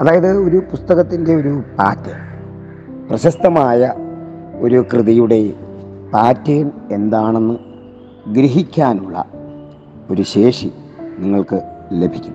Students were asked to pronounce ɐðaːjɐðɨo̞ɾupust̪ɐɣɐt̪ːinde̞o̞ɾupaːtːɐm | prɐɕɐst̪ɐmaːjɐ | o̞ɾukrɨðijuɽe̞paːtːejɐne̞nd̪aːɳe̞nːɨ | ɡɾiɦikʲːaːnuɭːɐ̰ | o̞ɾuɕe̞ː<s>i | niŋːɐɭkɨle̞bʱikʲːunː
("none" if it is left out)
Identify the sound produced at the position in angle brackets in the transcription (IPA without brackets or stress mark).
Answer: ʂ